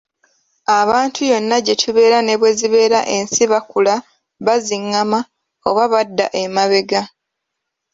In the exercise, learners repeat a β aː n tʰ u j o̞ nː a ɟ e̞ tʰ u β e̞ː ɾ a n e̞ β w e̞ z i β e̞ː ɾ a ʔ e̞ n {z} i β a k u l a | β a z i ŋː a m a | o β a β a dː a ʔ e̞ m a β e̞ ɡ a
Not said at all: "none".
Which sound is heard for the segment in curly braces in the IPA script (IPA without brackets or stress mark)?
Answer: s